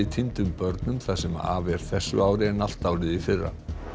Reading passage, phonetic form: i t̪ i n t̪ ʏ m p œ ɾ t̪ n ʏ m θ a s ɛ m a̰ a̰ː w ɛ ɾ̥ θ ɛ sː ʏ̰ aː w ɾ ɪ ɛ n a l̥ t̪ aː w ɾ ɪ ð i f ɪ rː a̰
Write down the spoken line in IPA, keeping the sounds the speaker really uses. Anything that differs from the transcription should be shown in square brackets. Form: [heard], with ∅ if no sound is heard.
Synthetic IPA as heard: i [t̪ʰ] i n t̪ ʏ m p œ ɾ t̪ n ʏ m θ a s ɛ m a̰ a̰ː [v] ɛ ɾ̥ θ ɛ sː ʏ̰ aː w ɾ ɪ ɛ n a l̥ t̪ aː w ɾ ɪ ð i f ɪ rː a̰